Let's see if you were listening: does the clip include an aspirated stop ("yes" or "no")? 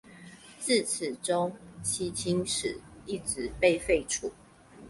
yes